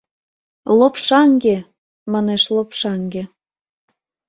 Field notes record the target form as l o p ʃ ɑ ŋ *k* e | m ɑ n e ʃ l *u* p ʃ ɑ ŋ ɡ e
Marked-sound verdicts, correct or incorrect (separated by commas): incorrect, incorrect